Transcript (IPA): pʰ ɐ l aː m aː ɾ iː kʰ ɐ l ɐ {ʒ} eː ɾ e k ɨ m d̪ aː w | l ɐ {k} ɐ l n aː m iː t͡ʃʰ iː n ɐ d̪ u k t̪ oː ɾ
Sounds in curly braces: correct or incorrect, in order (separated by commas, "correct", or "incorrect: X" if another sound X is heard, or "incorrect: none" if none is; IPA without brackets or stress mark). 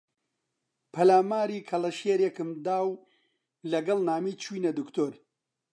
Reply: incorrect: ʃ, incorrect: ɡ